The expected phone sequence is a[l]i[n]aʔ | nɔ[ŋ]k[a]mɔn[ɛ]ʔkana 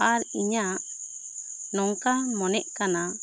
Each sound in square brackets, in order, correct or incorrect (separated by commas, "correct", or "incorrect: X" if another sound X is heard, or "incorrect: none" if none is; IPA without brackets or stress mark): incorrect: ɾ, incorrect: ɲ, correct, correct, correct